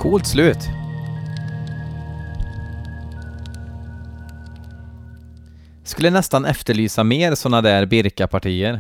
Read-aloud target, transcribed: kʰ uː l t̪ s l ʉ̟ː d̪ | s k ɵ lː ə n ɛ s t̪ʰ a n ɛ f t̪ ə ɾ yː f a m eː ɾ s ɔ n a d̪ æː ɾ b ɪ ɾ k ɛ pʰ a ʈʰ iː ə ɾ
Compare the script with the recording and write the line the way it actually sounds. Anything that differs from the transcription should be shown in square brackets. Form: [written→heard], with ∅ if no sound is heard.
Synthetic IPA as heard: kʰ uː l t̪ s l ʉ̟ː [d̪→t̪] | s k ɵ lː ə n ɛ s [t̪ʰ→t̪] a n ɛ f t̪ ə [ɾ→ɭ] yː [f→s] a m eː ɾ s ɔ n a d̪ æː ɾ b ɪ ɾ k [ɛ→a] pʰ a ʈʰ iː ə ɾ